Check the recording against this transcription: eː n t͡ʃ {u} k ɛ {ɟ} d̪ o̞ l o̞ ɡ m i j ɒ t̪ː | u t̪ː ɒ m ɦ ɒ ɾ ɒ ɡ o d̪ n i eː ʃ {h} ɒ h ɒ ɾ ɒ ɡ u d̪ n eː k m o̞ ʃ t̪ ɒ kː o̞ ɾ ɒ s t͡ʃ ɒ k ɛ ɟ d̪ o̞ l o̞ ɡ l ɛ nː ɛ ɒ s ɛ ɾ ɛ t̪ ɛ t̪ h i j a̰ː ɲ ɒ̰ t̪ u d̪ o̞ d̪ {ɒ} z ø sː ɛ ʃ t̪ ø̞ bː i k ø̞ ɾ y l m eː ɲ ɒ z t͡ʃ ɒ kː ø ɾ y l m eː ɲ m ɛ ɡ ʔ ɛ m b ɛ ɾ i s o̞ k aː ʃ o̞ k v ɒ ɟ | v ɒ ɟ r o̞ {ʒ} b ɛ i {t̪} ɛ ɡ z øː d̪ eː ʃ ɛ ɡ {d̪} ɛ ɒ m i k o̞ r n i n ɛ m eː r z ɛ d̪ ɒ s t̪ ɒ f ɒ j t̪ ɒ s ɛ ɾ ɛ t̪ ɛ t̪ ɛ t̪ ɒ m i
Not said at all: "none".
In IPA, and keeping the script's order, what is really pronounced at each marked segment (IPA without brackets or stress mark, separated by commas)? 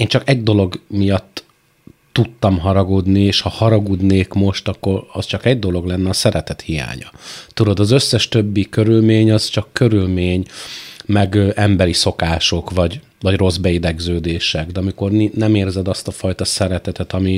ɒ, ɟ, h, ɒ, z, d̪, d̪